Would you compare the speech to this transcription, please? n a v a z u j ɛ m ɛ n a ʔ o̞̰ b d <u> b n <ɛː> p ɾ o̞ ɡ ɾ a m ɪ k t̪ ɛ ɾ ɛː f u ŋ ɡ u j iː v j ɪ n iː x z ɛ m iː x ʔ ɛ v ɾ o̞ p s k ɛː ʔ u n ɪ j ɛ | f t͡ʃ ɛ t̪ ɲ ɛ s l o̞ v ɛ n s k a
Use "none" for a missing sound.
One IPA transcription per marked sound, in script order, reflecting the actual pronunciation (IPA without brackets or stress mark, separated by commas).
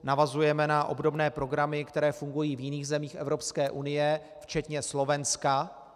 o, ɛː